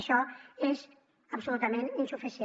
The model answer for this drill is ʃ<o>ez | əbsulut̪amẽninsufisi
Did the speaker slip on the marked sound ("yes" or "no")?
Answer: yes